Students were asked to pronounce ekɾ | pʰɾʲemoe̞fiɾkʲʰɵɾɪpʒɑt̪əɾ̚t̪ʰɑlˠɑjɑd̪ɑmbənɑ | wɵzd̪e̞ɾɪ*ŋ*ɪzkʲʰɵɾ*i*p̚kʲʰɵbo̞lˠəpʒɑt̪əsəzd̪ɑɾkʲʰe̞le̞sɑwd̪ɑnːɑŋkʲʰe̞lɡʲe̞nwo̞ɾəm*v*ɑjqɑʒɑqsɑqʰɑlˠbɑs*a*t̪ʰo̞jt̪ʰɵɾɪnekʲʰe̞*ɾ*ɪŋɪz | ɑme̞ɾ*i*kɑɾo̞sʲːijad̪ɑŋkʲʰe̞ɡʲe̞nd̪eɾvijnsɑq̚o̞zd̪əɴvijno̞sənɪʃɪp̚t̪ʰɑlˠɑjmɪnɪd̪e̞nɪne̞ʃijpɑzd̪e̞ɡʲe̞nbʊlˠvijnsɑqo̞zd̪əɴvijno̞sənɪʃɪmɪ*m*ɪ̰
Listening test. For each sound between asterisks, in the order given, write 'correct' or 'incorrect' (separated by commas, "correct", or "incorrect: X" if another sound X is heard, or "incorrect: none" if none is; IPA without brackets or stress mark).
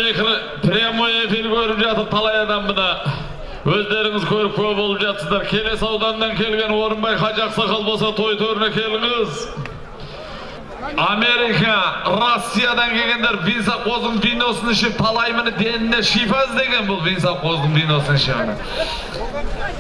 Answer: correct, incorrect: ɪ, incorrect: b, incorrect: ɑ, incorrect: l, correct, incorrect: n